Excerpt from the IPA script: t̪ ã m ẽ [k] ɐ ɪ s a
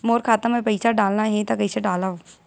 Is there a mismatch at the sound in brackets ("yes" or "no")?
yes